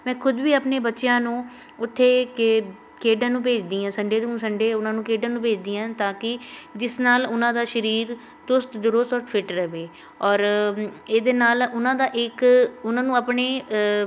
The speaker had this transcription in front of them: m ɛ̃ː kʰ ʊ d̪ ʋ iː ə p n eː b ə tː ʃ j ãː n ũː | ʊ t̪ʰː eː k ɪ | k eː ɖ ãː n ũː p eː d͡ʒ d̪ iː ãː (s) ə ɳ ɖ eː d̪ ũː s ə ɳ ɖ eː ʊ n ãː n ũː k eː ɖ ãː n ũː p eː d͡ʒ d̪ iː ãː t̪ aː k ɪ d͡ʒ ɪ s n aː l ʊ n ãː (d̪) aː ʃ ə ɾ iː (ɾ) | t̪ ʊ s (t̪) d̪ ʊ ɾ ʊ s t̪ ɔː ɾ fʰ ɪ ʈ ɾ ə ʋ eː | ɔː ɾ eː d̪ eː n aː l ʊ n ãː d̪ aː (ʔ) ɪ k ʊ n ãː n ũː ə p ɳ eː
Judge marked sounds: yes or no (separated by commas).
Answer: yes, yes, yes, yes, yes